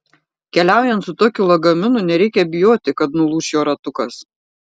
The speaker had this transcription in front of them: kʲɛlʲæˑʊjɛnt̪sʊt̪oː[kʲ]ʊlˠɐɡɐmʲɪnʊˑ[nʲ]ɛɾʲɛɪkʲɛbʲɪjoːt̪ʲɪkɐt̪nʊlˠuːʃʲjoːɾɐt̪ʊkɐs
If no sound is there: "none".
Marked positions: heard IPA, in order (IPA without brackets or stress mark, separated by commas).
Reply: kʲ, nʲ